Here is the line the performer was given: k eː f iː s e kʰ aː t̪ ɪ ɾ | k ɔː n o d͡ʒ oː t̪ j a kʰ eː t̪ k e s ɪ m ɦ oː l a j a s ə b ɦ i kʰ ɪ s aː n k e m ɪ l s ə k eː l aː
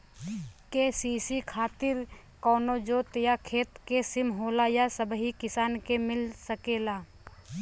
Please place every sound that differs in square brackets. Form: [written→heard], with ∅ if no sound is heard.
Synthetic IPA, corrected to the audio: k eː [f→s] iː s [e→i] kʰ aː t̪ ɪ ɾ | k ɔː n o d͡ʒ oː t̪ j a kʰ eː t̪ k e s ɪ m ɦ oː l a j a s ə b ɦ i [kʰ→k] ɪ s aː n k e m ɪ l s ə k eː l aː